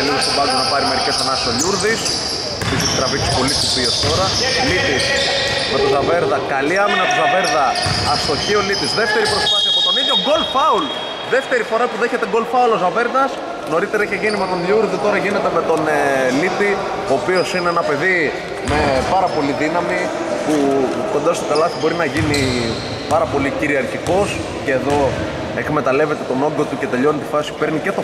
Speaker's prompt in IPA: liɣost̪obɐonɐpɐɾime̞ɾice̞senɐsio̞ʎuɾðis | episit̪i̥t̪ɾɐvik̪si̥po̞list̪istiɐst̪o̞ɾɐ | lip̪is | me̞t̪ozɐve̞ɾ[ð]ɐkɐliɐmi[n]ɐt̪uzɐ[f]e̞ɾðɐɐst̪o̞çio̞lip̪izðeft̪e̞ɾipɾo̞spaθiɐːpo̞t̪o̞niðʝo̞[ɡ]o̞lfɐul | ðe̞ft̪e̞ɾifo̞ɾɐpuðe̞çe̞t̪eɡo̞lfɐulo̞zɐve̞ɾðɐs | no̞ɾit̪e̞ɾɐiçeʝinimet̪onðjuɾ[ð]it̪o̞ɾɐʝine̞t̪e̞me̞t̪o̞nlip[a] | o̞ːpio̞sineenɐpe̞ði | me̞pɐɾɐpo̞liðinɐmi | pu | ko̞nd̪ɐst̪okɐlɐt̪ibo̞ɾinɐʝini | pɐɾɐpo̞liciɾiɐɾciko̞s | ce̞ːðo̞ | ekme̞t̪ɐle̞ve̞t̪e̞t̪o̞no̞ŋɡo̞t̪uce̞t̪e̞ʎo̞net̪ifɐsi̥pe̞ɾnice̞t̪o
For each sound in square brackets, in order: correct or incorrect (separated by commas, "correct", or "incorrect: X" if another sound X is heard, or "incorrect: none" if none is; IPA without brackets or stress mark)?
correct, correct, incorrect: v, correct, correct, incorrect: i